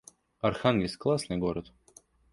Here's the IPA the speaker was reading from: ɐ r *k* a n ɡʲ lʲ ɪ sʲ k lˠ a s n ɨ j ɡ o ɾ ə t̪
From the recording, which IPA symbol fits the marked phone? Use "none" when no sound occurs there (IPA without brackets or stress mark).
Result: x